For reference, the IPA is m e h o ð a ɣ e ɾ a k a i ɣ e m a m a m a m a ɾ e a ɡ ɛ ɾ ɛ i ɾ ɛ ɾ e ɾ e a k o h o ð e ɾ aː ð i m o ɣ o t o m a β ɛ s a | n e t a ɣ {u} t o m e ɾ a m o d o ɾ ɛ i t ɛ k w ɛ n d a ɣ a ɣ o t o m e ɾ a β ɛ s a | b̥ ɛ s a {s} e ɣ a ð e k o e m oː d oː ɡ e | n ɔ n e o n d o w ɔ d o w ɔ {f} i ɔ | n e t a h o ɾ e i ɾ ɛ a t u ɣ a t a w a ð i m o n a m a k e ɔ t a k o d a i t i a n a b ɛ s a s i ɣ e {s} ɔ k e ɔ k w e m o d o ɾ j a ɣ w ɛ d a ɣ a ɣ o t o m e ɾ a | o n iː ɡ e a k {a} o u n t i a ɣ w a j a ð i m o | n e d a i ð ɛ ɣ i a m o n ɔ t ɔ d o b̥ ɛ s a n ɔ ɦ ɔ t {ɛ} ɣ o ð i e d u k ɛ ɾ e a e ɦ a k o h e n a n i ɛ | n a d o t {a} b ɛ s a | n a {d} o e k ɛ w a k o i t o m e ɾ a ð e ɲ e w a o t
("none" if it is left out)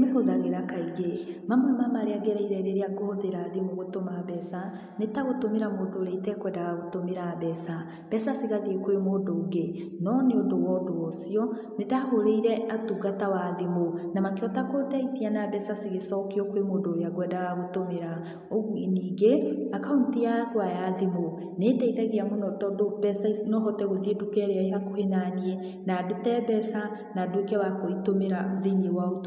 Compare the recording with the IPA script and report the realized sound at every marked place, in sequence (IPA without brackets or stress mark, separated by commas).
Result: o, s, s, s, a, ɛ, ɛ, d